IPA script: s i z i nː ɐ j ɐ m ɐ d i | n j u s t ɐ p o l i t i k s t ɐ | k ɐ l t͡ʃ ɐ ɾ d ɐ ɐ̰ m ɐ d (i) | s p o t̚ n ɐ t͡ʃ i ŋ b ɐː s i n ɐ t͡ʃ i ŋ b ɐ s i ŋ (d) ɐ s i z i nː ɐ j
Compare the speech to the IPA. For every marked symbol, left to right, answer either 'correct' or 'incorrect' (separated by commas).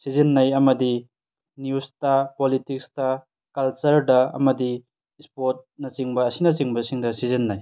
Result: correct, correct